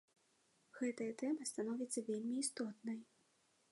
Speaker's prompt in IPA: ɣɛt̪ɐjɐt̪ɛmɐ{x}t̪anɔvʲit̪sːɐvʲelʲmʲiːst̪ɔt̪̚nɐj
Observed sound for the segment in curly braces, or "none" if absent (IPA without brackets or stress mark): s